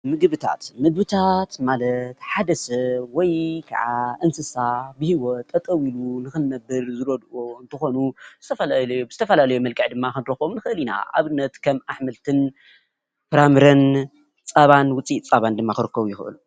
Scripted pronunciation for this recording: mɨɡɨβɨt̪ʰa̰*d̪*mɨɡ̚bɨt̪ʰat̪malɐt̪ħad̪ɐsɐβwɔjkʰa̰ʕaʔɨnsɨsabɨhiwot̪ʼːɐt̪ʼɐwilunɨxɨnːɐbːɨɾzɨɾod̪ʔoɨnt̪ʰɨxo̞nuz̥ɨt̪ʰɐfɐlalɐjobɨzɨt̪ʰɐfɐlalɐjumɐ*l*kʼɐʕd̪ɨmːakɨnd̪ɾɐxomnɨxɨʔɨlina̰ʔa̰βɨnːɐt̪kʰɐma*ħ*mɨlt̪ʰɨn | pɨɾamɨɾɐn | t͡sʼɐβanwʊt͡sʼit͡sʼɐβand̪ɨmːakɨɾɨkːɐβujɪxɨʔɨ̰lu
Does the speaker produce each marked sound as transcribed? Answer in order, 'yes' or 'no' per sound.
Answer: no, yes, yes

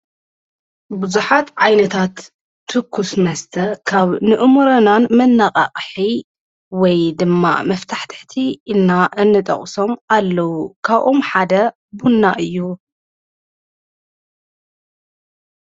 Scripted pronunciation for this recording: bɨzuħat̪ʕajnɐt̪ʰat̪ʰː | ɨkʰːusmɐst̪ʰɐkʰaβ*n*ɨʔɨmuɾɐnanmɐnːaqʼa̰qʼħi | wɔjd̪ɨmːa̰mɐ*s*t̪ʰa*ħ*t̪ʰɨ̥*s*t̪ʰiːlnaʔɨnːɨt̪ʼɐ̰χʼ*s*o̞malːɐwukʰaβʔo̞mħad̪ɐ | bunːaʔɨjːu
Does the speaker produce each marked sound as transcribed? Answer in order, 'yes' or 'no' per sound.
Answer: yes, no, yes, no, yes

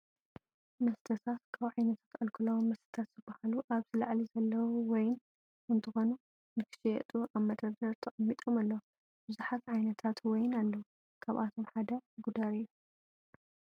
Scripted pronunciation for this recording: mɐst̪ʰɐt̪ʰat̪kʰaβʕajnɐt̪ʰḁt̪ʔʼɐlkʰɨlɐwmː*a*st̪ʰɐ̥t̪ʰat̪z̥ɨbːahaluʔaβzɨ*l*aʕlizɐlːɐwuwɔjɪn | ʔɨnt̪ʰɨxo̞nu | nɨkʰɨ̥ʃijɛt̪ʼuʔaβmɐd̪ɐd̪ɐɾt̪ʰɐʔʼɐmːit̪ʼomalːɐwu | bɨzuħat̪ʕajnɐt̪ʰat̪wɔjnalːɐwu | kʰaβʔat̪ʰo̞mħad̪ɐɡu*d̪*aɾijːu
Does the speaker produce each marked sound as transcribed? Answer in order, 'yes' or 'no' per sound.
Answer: no, yes, yes

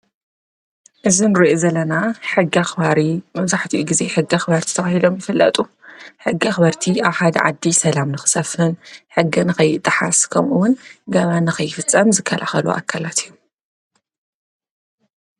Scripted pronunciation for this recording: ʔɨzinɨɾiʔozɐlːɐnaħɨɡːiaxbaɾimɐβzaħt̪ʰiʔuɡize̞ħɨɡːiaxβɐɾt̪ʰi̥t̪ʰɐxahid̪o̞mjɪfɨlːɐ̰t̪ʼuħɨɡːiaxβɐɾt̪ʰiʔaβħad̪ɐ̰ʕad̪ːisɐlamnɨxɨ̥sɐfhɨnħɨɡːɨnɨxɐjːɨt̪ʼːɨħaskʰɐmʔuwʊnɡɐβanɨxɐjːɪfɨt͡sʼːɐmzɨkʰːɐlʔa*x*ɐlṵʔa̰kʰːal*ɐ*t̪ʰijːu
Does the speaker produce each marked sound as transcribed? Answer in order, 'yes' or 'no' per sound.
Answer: yes, no

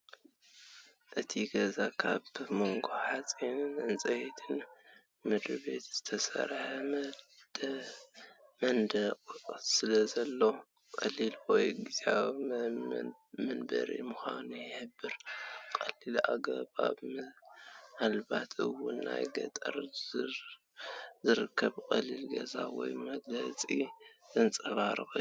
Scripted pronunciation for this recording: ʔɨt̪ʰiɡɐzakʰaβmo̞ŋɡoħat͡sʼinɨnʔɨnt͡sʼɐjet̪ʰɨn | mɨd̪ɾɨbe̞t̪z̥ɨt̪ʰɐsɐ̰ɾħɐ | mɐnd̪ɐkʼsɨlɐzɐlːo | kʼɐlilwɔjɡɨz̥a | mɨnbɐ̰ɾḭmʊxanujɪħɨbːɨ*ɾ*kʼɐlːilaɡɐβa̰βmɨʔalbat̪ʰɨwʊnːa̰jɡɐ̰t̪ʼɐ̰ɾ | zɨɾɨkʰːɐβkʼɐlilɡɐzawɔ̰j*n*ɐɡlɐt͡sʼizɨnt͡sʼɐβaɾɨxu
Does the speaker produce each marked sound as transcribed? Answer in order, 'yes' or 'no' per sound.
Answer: yes, no

